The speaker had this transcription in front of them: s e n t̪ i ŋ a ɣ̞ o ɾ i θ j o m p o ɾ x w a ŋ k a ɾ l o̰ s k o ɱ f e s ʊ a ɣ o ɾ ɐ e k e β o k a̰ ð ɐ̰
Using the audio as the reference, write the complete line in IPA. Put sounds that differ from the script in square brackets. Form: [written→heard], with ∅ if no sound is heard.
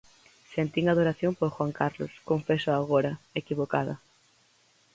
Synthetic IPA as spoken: s e n t̪ i ŋ a [ɣ̞→ð̞] o ɾ [i→a] θ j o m p o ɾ x w a ŋ k a ɾ l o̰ s k o ɱ f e s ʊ a ɣ o ɾ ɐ e k [e→i] β o k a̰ ð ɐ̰